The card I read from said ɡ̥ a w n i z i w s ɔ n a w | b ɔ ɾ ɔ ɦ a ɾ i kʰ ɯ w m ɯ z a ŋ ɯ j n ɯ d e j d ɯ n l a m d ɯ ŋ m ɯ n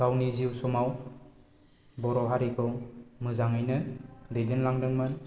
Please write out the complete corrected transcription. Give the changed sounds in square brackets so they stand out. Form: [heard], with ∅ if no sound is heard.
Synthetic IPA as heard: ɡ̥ a w n i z i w s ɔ [m] a w | b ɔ ɾ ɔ ɦ a ɾ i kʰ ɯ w m ɯ z a ŋ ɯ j n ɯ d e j d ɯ n l a [ŋ] d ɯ ŋ m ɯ n